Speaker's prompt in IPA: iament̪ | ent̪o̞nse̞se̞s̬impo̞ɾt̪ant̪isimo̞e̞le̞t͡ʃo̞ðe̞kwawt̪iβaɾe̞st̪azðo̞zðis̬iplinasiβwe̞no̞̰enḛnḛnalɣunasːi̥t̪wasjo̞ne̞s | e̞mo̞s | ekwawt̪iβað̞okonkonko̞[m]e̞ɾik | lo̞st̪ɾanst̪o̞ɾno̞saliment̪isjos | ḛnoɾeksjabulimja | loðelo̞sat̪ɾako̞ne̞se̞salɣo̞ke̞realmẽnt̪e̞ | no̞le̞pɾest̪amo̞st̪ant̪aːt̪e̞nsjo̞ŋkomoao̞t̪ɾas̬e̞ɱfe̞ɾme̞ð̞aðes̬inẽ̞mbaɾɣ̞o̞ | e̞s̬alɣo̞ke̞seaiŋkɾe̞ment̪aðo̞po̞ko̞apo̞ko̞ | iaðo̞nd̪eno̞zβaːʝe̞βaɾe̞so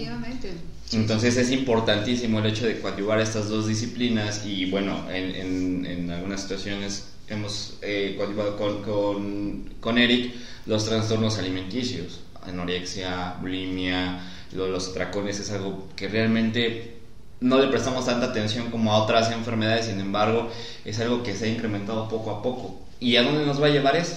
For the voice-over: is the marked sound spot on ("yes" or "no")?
no